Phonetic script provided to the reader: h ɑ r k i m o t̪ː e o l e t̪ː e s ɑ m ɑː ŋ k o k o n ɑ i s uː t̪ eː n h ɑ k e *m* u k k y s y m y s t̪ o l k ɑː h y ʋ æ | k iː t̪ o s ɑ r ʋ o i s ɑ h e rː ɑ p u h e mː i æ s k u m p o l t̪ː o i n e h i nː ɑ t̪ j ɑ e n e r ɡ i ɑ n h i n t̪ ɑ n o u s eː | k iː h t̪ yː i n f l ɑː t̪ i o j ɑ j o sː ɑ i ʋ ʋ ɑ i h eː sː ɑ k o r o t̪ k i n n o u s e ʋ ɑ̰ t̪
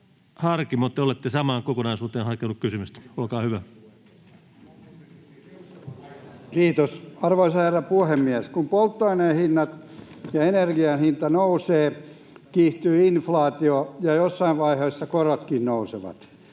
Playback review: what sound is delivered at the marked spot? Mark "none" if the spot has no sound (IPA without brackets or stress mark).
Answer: n